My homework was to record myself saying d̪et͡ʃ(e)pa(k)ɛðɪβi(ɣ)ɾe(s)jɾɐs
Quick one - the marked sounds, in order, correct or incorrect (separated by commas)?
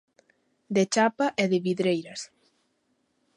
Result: incorrect, incorrect, incorrect, incorrect